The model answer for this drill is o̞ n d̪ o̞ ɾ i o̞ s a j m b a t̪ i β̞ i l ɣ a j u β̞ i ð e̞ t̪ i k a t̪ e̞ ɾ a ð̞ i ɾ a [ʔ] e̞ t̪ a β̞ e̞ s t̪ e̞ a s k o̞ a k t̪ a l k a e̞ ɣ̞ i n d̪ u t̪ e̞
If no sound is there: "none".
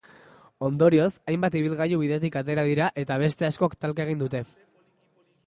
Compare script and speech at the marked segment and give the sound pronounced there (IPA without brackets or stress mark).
ʔ